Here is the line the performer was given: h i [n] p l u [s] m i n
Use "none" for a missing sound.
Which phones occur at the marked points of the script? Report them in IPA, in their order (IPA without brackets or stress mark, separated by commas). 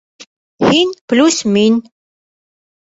n, s